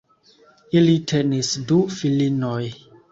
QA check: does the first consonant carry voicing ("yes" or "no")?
yes